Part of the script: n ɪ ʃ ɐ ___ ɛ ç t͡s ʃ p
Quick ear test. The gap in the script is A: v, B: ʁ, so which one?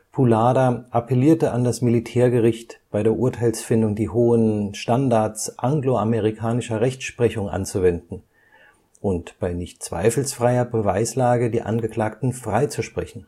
B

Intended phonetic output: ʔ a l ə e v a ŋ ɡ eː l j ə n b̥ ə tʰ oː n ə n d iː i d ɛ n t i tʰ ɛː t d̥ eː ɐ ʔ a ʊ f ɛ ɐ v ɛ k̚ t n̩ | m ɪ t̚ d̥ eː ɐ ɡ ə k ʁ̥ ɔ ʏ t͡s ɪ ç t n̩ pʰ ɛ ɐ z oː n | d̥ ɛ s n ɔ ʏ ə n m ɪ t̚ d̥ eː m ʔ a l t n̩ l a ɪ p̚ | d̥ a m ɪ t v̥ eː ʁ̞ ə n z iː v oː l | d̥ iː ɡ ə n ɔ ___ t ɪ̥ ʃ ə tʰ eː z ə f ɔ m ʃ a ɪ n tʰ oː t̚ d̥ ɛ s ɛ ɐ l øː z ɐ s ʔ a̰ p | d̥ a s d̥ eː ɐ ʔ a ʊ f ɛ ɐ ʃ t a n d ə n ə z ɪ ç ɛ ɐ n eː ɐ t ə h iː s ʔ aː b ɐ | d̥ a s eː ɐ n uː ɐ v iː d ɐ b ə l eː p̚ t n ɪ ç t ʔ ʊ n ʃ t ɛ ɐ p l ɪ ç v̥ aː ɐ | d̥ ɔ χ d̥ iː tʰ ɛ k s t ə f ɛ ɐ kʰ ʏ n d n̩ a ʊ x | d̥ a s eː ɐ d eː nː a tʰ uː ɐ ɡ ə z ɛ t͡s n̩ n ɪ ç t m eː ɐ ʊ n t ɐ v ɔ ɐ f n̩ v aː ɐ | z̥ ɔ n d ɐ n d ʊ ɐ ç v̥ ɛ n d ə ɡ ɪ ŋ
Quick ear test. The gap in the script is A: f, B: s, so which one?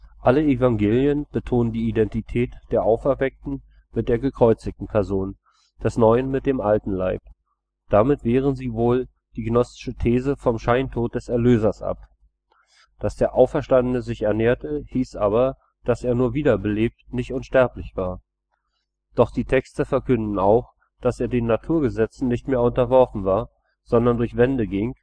B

